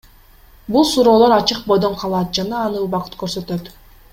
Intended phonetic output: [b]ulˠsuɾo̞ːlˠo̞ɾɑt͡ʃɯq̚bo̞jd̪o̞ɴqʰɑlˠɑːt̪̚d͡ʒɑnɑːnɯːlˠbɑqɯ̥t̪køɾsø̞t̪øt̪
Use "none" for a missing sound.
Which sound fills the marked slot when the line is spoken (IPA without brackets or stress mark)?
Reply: b